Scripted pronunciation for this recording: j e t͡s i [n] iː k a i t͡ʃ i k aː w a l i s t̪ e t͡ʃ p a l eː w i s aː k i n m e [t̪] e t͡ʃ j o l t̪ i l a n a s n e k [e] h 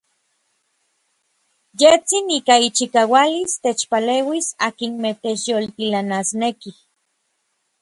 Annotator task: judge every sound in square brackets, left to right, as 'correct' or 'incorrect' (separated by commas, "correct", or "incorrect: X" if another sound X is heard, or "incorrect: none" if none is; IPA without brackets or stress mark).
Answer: correct, correct, incorrect: i